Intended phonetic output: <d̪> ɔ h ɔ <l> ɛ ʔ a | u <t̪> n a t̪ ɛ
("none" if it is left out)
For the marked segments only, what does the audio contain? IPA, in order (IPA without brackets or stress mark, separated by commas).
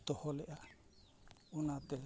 t̪, l, none